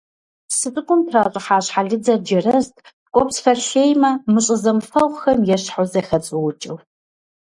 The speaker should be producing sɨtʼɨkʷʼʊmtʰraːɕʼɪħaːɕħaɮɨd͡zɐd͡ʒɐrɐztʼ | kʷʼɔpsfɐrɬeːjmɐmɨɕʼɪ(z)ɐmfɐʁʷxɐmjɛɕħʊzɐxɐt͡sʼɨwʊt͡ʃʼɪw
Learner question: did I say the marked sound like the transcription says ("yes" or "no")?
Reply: yes